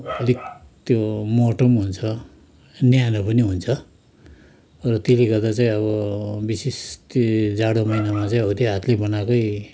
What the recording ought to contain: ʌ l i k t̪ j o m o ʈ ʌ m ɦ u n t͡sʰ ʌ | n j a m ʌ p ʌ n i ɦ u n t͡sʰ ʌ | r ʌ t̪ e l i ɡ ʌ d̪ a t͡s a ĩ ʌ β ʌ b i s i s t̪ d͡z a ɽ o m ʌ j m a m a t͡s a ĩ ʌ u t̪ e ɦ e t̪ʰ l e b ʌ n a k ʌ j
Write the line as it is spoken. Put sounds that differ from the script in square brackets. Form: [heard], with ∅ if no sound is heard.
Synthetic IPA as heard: ʌ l i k t̪ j o m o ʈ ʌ m ɦ u n t͡sʰ ʌ | n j a [n] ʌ p ʌ n i ɦ u n t͡sʰ ʌ | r ʌ t̪ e l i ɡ ʌ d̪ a t͡s a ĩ ʌ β ʌ b i s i s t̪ d͡z a ɽ o m ʌ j [n] a m a t͡s a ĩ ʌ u t̪ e ɦ [a] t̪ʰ l e b ʌ n a k ʌ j

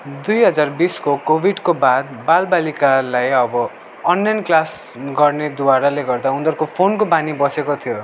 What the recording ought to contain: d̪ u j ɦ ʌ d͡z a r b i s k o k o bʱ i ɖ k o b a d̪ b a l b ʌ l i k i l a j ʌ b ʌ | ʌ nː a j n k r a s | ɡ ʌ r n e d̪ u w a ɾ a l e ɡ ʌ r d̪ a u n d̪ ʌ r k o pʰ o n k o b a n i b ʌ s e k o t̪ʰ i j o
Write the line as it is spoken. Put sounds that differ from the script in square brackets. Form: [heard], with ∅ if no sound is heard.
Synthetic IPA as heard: d̪ u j ɦ ʌ d͡z a r b i s k o k o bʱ i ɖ k o b a d̪ b a l b [a] l i k [a] l a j ʌ b ʌ | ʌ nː a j n k [l] a s | ɡ ʌ r n e d̪ u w a ɾ a l e ɡ ʌ r d̪ a u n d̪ ʌ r k o pʰ o n k o b a n i b ʌ s e k o t̪ʰ i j o

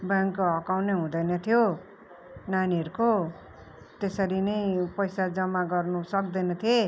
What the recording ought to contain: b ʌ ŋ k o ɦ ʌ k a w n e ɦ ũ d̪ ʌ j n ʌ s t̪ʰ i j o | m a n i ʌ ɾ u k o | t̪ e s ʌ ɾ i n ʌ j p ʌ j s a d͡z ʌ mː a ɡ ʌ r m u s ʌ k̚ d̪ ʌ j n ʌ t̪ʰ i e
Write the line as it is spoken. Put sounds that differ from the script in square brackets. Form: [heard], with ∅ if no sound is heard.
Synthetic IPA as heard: b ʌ ŋ k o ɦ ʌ k a w n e ɦ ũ d̪ ʌ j n ʌ [∅] t̪ʰ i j o | [n] a n i ʌ ɾ u k o | t̪ e s ʌ ɾ i n ʌ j p ʌ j s a d͡z ʌ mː a ɡ ʌ r [n] u s ʌ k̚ d̪ ʌ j n ʌ t̪ʰ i e

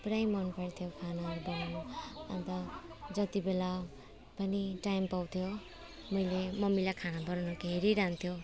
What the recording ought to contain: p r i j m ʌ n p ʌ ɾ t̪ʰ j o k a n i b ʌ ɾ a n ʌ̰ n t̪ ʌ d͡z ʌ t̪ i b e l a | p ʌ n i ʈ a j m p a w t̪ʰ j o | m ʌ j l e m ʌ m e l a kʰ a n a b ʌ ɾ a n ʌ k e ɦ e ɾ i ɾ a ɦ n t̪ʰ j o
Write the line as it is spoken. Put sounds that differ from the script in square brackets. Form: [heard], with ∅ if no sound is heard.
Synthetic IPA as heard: p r [a] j m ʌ n p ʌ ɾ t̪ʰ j o [kʰ] a n [a] b ʌ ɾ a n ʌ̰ n t̪ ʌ d͡z ʌ t̪ i b e l a | p ʌ n i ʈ a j m p a w t̪ʰ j o | m ʌ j l e m ʌ m [i] l a kʰ a n a b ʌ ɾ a n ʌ k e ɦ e ɾ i ɾ a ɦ n t̪ʰ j o

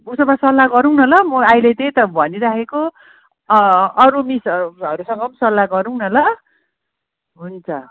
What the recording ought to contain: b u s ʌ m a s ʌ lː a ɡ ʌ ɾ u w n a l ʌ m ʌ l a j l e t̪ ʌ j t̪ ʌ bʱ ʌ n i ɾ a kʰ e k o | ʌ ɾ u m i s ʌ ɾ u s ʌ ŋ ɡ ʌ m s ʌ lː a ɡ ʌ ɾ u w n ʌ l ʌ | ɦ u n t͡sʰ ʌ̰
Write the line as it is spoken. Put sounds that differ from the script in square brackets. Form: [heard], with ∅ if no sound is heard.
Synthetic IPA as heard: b u s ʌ m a s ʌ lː a ɡ ʌ ɾ u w n [ʌ] l ʌ m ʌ [∅] a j l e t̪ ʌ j t̪ ʌ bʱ ʌ n i ɾ a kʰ e k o | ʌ ɾ u m i s ʌ ɾ u s ʌ ŋ ɡ ʌ m s ʌ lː a ɡ ʌ ɾ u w n ʌ l ʌ | ɦ u n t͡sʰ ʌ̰

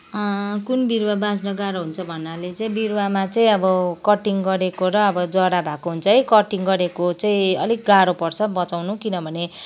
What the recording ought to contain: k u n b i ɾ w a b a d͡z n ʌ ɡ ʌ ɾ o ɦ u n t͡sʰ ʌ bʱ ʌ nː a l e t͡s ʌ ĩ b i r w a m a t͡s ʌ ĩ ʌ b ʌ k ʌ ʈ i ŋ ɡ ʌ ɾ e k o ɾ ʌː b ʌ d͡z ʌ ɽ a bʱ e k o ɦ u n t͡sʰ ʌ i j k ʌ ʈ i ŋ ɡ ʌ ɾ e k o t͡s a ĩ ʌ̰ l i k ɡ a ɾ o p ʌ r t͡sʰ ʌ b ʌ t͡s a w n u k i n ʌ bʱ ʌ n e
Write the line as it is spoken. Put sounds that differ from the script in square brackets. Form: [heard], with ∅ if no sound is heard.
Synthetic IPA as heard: k u n b i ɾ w a b a d͡z n ʌ ɡ [a] ɾ o ɦ u n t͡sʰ ʌ bʱ ʌ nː a l e t͡s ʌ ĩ b i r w a m a t͡s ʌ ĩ ʌ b ʌ k ʌ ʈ i ŋ ɡ ʌ ɾ e k o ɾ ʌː b ʌ d͡z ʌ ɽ a bʱ [a] k o ɦ u n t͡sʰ ʌ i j k ʌ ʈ i ŋ ɡ ʌ ɾ e k o t͡s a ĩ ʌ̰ l i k ɡ a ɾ o p ʌ r t͡sʰ ʌ b ʌ t͡s a w n u k i n ʌ bʱ ʌ n e

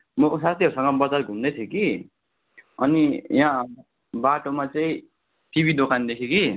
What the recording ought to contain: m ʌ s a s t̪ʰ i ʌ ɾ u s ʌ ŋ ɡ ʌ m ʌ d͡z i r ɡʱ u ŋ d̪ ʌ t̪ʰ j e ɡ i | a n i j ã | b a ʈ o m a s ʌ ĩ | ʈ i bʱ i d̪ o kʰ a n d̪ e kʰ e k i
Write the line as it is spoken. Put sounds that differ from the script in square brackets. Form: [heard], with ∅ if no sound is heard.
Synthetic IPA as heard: m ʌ s a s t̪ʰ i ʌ ɾ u s ʌ ŋ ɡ ʌ [b] ʌ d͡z [a] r ɡʱ u [n] d̪ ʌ t̪ʰ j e [k] i | [ʌ] n i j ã | b a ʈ o m a [t͡s] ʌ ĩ | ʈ i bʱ i d̪ o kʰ a n d̪ e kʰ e k i

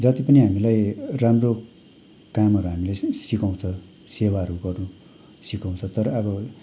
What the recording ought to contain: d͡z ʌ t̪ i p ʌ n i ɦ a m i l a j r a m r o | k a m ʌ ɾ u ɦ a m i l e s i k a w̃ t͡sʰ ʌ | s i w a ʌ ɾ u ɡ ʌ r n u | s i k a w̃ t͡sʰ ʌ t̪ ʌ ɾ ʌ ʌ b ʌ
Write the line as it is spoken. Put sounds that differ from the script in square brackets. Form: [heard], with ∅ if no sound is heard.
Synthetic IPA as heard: d͡z ʌ t̪ i p ʌ n i ɦ a m i l a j r a m r o | k a m ʌ ɾ u ɦ a m i l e s i k a w̃ t͡sʰ ʌ | s [e] w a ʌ ɾ u ɡ ʌ r n u | s i k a w̃ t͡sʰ ʌ t̪ ʌ ɾ ʌ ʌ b ʌ

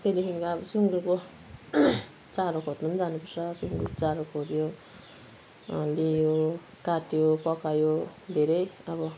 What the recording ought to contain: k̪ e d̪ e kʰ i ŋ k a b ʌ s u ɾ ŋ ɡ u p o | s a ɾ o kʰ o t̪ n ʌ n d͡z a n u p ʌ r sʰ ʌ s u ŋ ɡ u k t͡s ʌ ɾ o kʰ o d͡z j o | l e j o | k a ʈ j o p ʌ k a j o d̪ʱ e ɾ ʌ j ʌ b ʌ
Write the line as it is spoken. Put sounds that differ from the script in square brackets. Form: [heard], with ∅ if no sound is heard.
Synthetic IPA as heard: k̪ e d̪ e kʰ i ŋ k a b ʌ s u [∅] ŋ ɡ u [k] o | [t͡s] a ɾ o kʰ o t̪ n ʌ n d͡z a n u p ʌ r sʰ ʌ s u ŋ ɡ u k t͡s [a] ɾ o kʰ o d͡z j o | l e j o | k a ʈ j o p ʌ k a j o d̪ʱ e ɾ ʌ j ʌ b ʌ

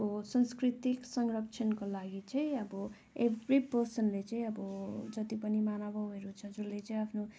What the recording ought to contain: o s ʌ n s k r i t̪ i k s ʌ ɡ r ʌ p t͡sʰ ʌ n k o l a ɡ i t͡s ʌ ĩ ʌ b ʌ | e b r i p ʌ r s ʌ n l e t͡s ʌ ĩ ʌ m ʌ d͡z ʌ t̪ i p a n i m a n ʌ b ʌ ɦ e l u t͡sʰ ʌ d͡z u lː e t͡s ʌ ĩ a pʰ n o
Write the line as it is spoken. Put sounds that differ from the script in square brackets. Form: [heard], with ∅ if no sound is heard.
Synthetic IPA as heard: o s ʌ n s k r i t̪ i k s ʌ [ŋ] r ʌ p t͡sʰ ʌ n k o l a ɡ i t͡s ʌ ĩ ʌ b ʌ | e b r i p ʌ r s ʌ n l e t͡s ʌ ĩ ʌ [b] ʌ d͡z ʌ t̪ i p [ʌ] n i m a n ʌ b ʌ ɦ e [ɾ] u t͡sʰ ʌ d͡z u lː e t͡s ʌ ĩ a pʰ n o

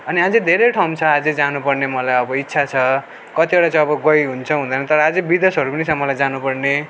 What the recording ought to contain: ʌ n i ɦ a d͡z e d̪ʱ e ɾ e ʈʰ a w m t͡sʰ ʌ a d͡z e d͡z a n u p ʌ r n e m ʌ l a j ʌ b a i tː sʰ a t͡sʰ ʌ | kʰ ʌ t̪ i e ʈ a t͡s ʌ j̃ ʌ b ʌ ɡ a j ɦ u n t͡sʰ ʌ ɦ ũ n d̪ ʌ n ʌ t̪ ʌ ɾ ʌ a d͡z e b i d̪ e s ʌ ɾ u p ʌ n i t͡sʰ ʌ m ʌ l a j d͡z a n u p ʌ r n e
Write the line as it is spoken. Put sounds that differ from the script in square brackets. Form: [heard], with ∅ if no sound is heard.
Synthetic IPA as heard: ʌ n i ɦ a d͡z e d̪ʱ e ɾ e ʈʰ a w m t͡sʰ ʌ a d͡z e d͡z a n u p ʌ r n e m ʌ l a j ʌ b [ʌ] i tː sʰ a t͡sʰ ʌ | [k] ʌ t̪ i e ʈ a t͡s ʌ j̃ ʌ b ʌ ɡ [ʌ] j ɦ u n t͡sʰ ʌ ɦ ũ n d̪ ʌ n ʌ t̪ ʌ ɾ ʌ a d͡z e b i d̪ e s ʌ ɾ u p ʌ n i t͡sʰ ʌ m ʌ l a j d͡z a n u p ʌ r n e

